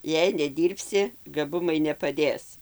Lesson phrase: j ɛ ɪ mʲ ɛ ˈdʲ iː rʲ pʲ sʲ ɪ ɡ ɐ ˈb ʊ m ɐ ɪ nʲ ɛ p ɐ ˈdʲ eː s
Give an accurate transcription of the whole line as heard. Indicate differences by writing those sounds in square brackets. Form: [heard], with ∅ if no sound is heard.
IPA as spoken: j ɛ ɪ [nʲ] ɛ ˈdʲ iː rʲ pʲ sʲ ɪ ɡ ɐ ˈb ʊ m ɐ ɪ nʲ ɛ p ɐ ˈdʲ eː s